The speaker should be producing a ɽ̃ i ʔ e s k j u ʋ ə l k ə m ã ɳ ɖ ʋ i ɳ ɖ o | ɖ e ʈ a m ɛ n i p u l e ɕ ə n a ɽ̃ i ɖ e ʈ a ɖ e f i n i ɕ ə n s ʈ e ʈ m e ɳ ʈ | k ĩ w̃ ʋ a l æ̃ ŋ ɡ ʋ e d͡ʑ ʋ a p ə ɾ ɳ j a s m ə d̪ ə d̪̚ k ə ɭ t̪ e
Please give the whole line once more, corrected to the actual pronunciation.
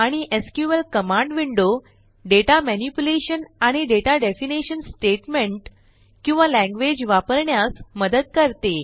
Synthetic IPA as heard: a ɽ̃ i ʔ e s k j u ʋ ə l k ə m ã ɳ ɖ ʋ i ɳ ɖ o | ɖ e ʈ a m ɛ n i p u l e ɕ ə n a ɽ̃ i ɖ e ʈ a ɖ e f i n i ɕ ə n s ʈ e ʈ m e ɳ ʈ | k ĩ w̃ ʋ a l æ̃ ŋ ɡ ʋ e d͡ʑ ʋ a p ə ɾ ɳ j a s m ə d̪ ə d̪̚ k ə ɾ t̪ e